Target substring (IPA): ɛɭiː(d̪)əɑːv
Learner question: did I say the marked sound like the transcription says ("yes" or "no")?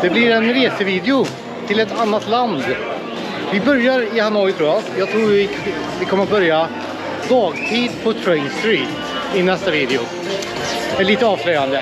no